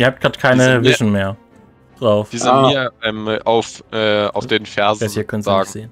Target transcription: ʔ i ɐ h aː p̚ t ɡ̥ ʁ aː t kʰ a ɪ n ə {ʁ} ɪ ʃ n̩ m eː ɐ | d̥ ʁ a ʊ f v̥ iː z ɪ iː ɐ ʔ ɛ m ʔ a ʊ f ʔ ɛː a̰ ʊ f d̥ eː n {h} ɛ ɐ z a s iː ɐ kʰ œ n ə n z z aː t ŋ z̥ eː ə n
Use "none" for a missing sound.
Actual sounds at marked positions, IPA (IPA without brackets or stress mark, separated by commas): v, f